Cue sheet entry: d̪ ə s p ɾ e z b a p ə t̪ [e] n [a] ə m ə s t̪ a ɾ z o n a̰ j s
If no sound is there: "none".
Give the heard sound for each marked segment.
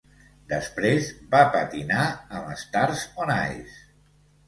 i, a

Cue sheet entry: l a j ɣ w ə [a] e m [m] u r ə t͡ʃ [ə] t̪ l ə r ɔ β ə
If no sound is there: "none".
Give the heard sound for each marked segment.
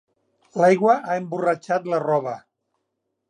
a, b, a

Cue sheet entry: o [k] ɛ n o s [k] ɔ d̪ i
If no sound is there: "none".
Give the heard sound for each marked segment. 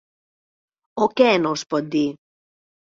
k, p

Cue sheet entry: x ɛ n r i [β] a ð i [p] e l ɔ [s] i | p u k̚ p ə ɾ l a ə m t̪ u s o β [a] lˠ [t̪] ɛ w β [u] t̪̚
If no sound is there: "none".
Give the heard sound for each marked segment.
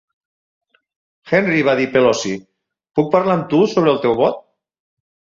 β, p, s, ə, t̪, ɔ

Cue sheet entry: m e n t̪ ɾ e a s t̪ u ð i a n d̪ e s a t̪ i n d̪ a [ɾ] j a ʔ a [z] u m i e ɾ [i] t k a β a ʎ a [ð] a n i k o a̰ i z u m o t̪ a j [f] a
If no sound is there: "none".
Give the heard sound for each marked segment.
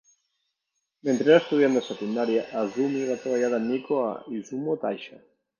ɾ, z, a, ð, ʃ

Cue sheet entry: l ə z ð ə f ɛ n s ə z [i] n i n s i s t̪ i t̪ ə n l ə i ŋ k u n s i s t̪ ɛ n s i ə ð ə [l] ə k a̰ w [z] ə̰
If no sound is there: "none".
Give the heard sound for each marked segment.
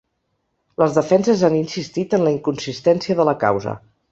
a, l, z

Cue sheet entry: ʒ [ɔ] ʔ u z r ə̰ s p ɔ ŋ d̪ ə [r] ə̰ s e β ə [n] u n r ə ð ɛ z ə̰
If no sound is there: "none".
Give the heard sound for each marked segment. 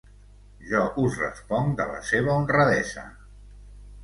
ɔ, l, none

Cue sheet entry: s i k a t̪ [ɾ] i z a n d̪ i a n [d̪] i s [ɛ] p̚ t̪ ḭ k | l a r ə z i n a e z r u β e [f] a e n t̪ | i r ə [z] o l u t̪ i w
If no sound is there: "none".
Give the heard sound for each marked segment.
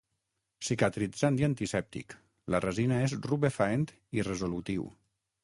ɾ, t̪, ɛ, f, z

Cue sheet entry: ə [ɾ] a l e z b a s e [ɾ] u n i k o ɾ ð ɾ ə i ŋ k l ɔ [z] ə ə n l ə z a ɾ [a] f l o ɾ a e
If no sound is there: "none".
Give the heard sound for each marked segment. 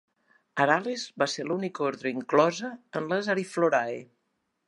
ɾ, l, z, i

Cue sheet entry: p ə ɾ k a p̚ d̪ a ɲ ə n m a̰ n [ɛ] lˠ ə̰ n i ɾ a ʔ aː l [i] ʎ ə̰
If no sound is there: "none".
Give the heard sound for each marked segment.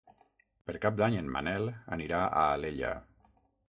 ɛ, e

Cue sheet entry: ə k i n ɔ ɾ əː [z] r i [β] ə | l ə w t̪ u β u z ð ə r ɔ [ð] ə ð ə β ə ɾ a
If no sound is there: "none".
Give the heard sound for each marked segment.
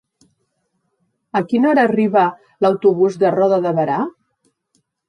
none, β, ð

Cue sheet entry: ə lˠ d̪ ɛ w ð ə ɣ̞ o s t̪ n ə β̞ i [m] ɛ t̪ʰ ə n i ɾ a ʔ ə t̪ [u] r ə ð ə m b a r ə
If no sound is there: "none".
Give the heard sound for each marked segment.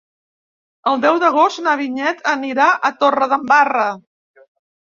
ɲ, o

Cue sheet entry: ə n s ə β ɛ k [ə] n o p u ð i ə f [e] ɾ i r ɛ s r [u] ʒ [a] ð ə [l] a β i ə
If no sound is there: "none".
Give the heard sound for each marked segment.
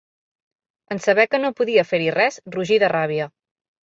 ə, e, u, i, r

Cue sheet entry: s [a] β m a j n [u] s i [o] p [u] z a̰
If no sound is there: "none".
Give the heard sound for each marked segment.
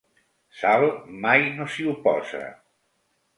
a, o, u, ɔ

